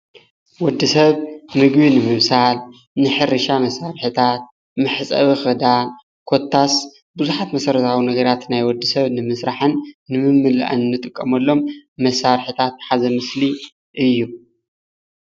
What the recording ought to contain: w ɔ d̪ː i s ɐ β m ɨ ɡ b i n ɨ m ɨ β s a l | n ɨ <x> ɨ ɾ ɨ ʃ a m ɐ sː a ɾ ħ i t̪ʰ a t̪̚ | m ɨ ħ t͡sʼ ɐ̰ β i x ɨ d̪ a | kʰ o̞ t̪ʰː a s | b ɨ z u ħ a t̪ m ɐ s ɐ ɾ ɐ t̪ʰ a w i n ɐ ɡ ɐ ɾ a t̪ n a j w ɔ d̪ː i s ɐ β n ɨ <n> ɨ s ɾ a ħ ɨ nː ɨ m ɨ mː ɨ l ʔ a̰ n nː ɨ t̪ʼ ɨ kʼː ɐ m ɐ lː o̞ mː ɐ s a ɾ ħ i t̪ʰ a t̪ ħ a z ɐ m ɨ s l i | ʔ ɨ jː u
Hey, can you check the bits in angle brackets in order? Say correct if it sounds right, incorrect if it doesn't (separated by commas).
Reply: incorrect, incorrect